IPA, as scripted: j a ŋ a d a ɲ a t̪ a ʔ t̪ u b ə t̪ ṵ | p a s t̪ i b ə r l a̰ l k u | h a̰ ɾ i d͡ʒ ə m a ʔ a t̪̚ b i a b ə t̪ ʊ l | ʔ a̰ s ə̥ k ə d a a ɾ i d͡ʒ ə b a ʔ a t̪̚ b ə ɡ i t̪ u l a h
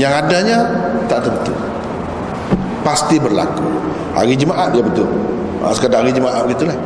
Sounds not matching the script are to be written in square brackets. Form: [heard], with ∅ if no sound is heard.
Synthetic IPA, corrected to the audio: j a ŋ a d a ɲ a t̪ a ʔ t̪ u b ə t̪ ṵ | p a s t̪ i b ə r l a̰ [∅] k u | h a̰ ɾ i d͡ʒ ə m a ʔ a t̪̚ [d] i a b ə t̪ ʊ l | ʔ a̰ s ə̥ k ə d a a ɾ i d͡ʒ ə [m] a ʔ a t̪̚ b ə ɡ i t̪ u l a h